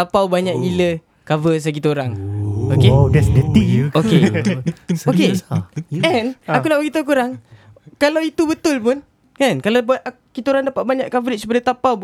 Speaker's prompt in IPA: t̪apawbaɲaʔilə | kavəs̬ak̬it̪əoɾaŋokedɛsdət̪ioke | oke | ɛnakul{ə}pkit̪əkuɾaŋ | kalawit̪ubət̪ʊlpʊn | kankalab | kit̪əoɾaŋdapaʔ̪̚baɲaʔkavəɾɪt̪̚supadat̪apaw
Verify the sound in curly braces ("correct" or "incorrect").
incorrect